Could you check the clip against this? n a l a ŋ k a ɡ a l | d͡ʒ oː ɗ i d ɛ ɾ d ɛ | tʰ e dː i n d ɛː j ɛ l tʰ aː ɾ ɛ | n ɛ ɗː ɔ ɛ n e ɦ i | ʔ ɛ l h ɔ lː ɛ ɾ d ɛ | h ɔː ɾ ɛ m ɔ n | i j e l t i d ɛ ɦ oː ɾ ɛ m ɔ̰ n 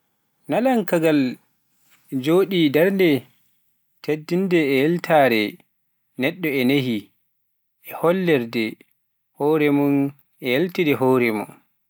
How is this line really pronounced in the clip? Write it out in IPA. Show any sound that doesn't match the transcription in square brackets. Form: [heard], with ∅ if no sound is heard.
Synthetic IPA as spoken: n a l a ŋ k a ɡ a l | d͡ʒ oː ɗ i d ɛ ɾ d ɛ | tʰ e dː i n d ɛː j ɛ l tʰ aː ɾ ɛ | n ɛ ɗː ɔ ɛ n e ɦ i | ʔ ɛ [∅] h ɔ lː ɛ ɾ d ɛ | h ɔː ɾ ɛ m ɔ n | [ɛ] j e l t i d ɛ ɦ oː ɾ ɛ m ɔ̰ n